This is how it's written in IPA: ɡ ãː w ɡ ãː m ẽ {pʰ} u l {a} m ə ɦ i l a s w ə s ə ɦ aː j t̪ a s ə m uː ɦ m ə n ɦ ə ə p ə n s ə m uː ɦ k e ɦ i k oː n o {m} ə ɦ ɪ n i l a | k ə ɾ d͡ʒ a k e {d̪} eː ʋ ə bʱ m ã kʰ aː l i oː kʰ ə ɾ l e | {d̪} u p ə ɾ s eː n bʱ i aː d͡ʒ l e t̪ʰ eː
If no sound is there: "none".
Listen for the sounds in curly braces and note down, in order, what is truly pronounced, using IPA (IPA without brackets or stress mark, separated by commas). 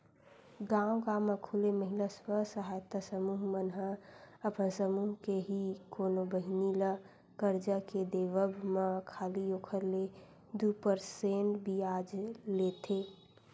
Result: kʰ, e, b, d̪, d̪